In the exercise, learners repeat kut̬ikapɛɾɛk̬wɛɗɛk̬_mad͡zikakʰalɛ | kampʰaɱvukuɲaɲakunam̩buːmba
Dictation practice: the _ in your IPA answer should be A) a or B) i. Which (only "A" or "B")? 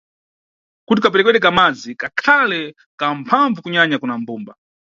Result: A